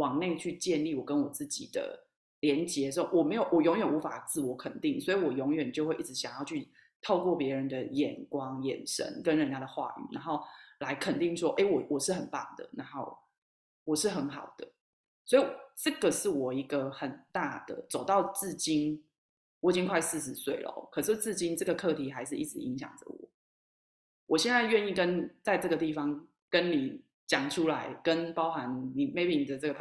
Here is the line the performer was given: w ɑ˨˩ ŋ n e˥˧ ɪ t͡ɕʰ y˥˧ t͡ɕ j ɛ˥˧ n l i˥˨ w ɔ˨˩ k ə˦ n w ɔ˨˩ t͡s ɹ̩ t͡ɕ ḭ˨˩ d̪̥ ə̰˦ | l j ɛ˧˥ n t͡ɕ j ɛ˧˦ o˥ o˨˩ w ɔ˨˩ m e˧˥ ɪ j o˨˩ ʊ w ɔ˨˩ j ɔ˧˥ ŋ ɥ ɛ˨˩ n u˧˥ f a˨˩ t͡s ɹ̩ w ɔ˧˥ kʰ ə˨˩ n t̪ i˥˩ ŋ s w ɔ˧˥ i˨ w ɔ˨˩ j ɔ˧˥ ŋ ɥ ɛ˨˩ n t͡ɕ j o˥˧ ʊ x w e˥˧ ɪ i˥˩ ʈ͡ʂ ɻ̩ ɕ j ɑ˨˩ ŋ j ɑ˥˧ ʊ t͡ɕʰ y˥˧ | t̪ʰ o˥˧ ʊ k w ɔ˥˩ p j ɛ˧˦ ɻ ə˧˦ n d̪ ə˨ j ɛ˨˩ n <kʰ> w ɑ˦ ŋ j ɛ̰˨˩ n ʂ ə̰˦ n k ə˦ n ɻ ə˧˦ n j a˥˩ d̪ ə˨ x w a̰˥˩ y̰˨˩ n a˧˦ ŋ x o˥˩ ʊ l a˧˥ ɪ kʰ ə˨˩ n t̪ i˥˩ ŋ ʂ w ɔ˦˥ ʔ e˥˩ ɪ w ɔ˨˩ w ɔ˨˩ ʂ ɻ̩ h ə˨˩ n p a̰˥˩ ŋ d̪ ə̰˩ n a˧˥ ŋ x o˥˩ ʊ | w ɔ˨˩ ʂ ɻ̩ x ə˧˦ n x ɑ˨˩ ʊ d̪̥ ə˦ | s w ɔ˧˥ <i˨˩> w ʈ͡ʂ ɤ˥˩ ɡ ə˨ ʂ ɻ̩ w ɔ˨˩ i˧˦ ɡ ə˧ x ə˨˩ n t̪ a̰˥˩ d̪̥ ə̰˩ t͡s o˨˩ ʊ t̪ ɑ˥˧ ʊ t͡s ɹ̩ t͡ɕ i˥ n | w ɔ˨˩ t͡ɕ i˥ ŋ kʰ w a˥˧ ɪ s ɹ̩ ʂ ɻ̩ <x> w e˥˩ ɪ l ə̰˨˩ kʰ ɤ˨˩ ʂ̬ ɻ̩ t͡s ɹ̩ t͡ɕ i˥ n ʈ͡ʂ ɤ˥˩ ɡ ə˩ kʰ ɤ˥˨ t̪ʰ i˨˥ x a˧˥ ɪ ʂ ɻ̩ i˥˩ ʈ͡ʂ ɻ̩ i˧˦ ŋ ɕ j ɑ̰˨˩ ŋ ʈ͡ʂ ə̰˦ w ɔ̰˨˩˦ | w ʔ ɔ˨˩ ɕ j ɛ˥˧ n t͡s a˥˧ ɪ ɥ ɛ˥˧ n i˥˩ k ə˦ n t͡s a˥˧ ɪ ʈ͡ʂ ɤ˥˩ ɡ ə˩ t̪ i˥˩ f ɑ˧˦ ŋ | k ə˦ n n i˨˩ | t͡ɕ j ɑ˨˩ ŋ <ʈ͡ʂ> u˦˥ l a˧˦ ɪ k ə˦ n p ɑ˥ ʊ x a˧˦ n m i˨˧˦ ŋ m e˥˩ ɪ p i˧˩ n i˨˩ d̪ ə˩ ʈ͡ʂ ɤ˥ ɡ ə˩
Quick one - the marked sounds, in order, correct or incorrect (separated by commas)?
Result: incorrect, correct, incorrect, incorrect